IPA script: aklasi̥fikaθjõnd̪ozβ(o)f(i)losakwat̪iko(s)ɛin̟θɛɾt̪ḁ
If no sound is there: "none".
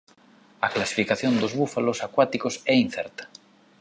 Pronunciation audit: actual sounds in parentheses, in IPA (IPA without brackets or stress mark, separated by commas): u, a, s